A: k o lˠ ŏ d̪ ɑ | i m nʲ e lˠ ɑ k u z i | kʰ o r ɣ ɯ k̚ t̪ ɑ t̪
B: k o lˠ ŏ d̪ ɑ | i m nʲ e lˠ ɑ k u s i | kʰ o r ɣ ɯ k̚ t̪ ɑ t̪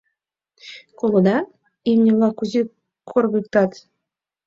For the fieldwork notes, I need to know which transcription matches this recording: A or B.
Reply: A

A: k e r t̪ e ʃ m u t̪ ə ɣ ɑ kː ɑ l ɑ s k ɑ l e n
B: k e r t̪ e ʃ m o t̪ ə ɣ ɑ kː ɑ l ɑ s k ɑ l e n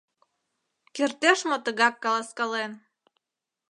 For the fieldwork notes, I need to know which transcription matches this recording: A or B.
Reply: B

